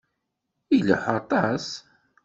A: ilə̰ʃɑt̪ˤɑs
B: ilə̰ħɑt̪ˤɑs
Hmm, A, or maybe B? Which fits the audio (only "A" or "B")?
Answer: B